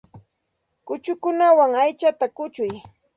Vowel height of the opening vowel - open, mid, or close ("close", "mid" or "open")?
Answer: close